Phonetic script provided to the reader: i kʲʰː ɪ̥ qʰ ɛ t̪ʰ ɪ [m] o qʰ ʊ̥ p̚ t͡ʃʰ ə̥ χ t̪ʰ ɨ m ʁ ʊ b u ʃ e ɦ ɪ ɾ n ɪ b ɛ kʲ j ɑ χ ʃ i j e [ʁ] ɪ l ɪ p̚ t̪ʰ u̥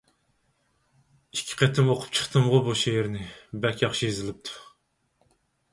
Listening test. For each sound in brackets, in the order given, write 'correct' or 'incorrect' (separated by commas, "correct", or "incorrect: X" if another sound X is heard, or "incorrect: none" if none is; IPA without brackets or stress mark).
correct, incorrect: z